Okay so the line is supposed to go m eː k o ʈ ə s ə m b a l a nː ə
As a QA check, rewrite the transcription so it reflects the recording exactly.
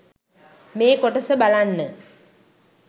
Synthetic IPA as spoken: m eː k o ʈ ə s ə b a l a nː ə

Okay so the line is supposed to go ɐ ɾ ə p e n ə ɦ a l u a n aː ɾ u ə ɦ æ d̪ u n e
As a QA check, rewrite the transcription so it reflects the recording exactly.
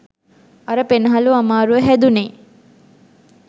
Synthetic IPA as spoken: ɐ ɾ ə p e n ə ɦ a l u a m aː ɾ u ə ɦ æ d̪ u n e

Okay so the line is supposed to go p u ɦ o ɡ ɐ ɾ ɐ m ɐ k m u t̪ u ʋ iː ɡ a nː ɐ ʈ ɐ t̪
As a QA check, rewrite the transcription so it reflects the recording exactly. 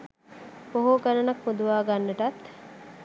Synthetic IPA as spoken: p o ɦ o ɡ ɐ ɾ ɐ n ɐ k m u d̪ u ʋ aː ɡ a nː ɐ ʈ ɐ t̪

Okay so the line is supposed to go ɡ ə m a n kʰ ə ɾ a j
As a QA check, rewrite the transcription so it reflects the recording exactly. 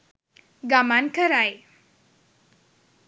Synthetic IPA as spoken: ɡ a m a n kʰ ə ɾ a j

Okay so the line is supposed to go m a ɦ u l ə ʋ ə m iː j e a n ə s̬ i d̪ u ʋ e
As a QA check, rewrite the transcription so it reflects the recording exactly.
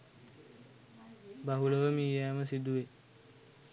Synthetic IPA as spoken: b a ɦ u l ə ʋ ə m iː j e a m ə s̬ i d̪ u ʋ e

